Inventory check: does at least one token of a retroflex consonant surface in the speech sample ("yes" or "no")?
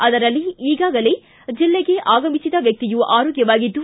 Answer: no